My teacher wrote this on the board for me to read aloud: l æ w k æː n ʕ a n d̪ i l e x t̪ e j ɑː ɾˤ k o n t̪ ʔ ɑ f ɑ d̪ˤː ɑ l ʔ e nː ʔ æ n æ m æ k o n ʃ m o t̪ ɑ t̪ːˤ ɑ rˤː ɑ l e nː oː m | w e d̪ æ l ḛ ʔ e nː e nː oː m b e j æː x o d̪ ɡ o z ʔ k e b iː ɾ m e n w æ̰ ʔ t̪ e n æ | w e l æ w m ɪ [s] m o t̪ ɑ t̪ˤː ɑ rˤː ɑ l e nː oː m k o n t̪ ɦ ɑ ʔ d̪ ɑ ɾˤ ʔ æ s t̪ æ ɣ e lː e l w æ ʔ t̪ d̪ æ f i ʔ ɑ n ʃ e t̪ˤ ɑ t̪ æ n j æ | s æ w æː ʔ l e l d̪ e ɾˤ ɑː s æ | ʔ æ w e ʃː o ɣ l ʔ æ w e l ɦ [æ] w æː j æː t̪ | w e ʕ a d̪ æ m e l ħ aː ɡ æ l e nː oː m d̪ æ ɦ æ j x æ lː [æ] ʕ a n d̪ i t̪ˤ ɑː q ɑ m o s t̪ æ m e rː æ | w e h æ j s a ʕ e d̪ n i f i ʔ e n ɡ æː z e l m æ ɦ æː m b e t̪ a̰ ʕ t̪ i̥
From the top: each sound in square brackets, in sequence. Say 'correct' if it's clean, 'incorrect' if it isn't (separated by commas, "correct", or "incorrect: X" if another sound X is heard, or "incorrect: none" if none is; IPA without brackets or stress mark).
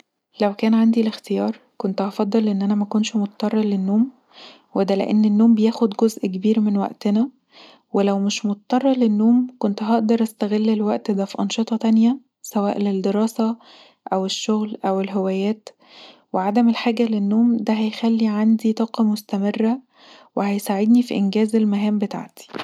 incorrect: ʃ, incorrect: e, incorrect: i